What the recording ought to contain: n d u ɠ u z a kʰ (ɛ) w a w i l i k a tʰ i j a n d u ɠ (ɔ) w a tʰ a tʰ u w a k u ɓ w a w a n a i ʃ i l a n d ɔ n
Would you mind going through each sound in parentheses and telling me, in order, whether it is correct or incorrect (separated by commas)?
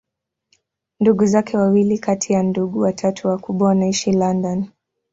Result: correct, incorrect